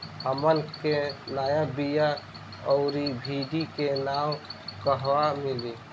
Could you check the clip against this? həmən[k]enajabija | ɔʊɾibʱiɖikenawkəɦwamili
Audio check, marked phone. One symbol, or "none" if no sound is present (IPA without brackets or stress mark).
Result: k